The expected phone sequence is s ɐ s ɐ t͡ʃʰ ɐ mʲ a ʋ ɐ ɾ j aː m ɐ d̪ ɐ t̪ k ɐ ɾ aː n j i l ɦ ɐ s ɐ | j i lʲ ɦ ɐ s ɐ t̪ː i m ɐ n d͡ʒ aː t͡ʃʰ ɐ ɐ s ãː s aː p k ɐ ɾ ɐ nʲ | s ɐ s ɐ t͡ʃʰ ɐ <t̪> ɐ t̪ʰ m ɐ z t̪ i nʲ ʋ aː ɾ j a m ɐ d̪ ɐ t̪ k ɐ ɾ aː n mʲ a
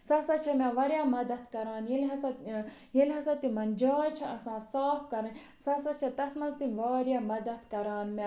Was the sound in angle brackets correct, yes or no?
yes